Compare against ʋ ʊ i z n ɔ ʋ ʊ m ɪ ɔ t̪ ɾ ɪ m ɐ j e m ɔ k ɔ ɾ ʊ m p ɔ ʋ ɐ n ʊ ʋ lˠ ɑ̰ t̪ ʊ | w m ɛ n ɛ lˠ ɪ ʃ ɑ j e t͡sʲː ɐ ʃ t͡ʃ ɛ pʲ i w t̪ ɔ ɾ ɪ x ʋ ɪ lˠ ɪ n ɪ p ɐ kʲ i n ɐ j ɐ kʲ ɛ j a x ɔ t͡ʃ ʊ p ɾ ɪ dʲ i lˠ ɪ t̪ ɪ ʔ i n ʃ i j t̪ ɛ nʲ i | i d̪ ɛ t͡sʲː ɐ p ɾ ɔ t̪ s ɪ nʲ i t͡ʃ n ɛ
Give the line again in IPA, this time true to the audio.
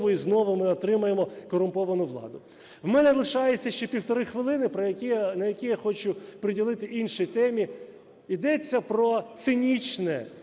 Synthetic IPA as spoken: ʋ ʊ i z n ɔ ʋ ʊ m ɪ ɔ t̪ ɾ ɪ m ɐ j e m ɔ k ɔ ɾ ʊ m p ɔ ʋ ɐ n ʊ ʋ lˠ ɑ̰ d̪ ʊ | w m ɛ n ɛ lˠ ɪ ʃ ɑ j e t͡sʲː ɐ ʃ t͡ʃ ɛ pʲ i w t̪ ɔ ɾ ɪ x ʋ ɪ lˠ ɪ n ɪ p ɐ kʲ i n ɐ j ɐ kʲ i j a x ɔ t͡ʃ ʊ p ɾ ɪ dʲ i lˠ ɪ t̪ ɪ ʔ i n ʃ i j t̪ ɛ mʲ i | i d̪ ɛ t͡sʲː ɐ p ɾ ɔ t̪ s ɪ nʲ i t͡ʃ n ɛ